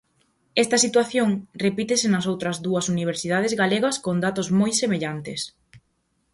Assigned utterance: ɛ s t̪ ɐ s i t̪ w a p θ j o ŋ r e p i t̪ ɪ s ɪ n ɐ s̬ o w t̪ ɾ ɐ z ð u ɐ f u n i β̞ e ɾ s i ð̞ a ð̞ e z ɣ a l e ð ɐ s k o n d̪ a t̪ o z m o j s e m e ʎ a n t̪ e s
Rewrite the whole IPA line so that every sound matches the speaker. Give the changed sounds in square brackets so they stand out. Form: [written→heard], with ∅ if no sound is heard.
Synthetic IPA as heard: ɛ s t̪ ɐ s i t̪ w a [p→∅] θ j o ŋ r e p i t̪ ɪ s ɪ n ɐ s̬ o w t̪ ɾ ɐ z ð u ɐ [f→s] u n i β̞ e ɾ s i ð̞ a ð̞ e z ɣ a l e [ð→ɣ] ɐ s k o n d̪ a t̪ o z m o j s e m e ʎ a n t̪ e s